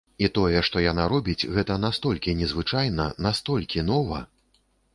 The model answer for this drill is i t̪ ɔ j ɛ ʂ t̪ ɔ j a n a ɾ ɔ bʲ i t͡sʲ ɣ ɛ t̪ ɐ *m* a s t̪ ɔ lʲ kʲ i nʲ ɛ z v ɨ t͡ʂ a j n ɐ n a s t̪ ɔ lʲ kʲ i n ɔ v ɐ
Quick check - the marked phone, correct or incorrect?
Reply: incorrect